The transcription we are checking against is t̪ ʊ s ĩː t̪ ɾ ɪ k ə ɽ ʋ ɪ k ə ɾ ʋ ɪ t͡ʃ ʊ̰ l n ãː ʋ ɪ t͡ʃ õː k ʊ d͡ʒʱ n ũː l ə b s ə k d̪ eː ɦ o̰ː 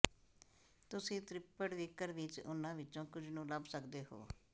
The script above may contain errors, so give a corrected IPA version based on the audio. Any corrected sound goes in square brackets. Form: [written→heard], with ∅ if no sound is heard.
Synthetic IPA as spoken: t̪ ʊ s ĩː t̪ ɾ ɪ [k→p] ə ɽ ʋ ɪ k ə ɾ ʋ ɪ t͡ʃ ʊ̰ [l→∅] n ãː ʋ ɪ t͡ʃ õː k ʊ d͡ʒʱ n ũː l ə b s ə k d̪ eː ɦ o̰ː

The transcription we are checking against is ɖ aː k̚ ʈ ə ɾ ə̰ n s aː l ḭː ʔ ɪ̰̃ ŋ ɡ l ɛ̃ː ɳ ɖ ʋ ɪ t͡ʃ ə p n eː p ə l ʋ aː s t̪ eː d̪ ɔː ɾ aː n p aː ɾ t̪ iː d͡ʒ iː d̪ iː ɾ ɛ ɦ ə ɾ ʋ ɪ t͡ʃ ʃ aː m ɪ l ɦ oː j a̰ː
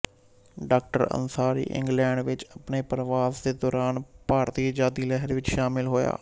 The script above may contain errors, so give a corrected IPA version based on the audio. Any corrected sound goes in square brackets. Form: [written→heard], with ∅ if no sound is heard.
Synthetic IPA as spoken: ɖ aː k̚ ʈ ə ɾ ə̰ n s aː [l→ɾ] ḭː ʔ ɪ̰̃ ŋ ɡ l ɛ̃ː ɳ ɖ ʋ ɪ t͡ʃ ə p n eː p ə [l→ɾ] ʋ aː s [t̪→d̪] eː d̪ ɔː ɾ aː n p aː ɾ t̪ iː d͡ʒ [iː→aː] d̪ iː [ɾ→l] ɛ ɦ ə ɾ ʋ ɪ t͡ʃ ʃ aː m ɪ l ɦ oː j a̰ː

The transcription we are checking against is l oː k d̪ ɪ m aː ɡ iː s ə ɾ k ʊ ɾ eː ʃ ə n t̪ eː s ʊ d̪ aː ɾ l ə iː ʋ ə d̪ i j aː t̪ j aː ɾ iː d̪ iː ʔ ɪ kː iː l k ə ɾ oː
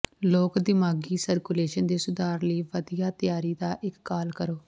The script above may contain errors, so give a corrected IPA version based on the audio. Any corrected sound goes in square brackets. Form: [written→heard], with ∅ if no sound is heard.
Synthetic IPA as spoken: l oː k d̪ ɪ m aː ɡ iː s ə ɾ k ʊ [ɾ→l] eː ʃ ə n [t̪→d̪] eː s ʊ d̪ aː ɾ l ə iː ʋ ə d̪ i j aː t̪ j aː ɾ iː d̪ [iː→aː] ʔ ɪ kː [iː→aː] l k ə ɾ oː

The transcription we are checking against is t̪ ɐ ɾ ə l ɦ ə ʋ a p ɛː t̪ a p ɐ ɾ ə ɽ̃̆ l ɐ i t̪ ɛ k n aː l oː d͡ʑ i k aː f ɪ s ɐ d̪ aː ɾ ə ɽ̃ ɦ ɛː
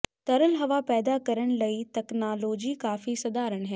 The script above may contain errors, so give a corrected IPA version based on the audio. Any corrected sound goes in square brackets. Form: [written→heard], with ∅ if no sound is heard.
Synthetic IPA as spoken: t̪ ɐ ɾ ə l ɦ [ə→ɐ] ʋ a p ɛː [t̪→d̪] a [p→k] ɐ ɾ ə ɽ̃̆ l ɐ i t̪ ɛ k n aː l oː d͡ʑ i k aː f [ɪ→i] s ɐ d̪ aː ɾ ə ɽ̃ ɦ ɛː

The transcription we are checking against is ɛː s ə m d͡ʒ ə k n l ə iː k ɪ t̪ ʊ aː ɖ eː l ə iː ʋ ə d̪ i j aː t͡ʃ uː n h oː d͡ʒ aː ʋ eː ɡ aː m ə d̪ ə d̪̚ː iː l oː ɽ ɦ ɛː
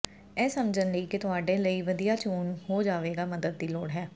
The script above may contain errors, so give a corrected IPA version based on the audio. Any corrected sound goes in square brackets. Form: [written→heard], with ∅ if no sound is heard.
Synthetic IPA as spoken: ɛː s ə m d͡ʒ ə [k→∅] n l ə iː k ɪ t̪ ʊ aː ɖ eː l ə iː ʋ ə d̪ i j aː t͡ʃ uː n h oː d͡ʒ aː ʋ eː ɡ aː m ə d̪ ə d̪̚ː iː l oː ɽ ɦ ɛː

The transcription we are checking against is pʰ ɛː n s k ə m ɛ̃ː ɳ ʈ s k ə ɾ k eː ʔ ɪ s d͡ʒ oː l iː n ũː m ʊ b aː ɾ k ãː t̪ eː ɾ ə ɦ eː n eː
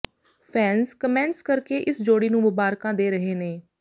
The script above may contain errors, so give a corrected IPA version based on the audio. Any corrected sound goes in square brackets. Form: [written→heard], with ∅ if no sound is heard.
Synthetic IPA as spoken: pʰ ɛː n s k ə m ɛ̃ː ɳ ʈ s k ə ɾ k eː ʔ ɪ s d͡ʒ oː [l→ɽ] iː n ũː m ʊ b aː ɾ k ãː [t̪→d̪] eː ɾ ə ɦ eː n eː

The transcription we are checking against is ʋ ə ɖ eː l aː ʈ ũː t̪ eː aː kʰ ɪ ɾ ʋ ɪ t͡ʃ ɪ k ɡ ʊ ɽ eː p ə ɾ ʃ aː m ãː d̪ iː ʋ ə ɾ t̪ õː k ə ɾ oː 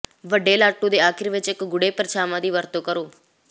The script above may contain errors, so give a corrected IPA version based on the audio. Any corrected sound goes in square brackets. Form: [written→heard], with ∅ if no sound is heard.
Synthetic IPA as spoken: ʋ ə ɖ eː l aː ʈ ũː [t̪→d̪] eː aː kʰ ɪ ɾ ʋ ɪ t͡ʃ ɪ k ɡ ʊ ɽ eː p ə ɾ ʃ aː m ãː d̪ iː ʋ ə ɾ t̪ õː k ə ɾ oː

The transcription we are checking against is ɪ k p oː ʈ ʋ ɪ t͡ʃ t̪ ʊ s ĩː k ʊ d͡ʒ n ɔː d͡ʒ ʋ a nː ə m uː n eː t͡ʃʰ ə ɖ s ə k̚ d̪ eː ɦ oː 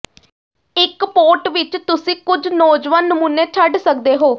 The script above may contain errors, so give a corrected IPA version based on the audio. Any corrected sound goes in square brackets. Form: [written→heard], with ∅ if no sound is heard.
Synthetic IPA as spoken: ɪ k p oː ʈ ʋ ɪ t͡ʃ t̪ ʊ s ĩː k ʊ d͡ʒ n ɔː d͡ʒ ʋ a nː ə m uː n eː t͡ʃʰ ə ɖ s ə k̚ d̪ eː ɦ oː

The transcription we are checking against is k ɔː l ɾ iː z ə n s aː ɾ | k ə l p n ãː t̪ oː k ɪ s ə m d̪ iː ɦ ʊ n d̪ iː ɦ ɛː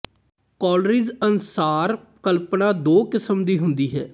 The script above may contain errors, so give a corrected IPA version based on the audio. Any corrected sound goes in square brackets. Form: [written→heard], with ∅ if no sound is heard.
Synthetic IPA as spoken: k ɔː l ɾ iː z ə n s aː ɾ | k ə l p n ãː [t̪→d̪] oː k ɪ s ə m d̪ iː ɦ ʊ n d̪ iː ɦ ɛː

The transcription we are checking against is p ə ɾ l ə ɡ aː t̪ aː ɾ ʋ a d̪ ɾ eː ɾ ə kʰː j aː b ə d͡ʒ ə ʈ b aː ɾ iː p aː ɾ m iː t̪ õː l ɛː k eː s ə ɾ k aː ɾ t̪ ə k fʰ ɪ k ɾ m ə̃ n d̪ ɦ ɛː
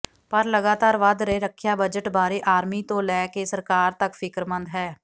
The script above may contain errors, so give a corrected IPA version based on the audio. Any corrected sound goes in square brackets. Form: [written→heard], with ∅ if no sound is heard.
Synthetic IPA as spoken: p ə ɾ l ə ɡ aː t̪ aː ɾ ʋ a d̪ ɾ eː ɾ ə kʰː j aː b ə d͡ʒ ə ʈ b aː ɾ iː [p→ʔ] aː ɾ m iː t̪ õː l ɛː k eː s ə ɾ k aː ɾ t̪ ə k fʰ ɪ k ɾ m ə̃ n d̪ ɦ ɛː

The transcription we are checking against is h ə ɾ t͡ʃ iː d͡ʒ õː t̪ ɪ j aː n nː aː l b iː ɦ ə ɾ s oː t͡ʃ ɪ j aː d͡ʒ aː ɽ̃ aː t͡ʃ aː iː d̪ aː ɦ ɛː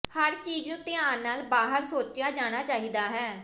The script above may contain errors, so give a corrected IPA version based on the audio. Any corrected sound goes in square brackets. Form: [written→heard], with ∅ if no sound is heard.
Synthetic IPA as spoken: h ə ɾ t͡ʃ iː d͡ʒ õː t̪ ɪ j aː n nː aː l b [iː→aː] ɦ ə ɾ s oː t͡ʃ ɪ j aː d͡ʒ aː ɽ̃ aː t͡ʃ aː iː d̪ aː ɦ ɛː

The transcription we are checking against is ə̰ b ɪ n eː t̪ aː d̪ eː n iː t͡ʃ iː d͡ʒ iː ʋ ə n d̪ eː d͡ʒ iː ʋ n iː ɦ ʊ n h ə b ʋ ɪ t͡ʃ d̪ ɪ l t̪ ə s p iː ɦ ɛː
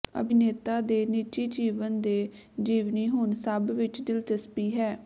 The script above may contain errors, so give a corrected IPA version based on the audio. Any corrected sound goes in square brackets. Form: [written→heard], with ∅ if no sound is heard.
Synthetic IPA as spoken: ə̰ b ɪ n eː t̪ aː d̪ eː n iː t͡ʃ iː d͡ʒ iː ʋ ə n d̪ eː d͡ʒ iː ʋ n iː ɦ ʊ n [h→s] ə b ʋ ɪ t͡ʃ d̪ ɪ l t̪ ə s p iː ɦ ɛː

